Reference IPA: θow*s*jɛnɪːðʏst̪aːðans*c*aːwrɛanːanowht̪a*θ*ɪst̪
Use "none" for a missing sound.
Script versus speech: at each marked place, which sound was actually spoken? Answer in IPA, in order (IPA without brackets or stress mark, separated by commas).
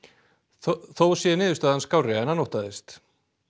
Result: s, k, ð